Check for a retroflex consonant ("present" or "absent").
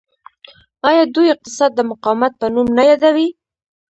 absent